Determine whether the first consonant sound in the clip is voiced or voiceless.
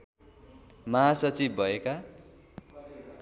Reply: voiced